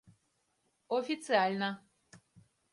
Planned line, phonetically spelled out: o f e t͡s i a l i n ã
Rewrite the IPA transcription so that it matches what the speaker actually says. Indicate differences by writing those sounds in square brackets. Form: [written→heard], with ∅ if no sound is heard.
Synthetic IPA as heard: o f [e→i] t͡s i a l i n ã